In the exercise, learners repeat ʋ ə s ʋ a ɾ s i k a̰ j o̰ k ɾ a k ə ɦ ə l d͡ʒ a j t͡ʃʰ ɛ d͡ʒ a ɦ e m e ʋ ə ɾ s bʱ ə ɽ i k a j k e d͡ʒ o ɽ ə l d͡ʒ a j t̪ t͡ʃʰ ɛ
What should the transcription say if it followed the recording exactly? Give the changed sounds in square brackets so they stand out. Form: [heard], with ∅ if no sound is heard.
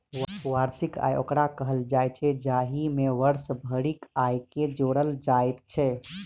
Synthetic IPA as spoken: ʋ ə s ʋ a ɾ s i k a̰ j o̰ k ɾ a k ə ɦ ə l d͡ʒ a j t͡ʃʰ ɛ d͡ʒ a ɦ [i] m e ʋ ə ɾ s bʱ ə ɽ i k a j k e d͡ʒ o ɽ ə l d͡ʒ a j t̪ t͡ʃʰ ɛ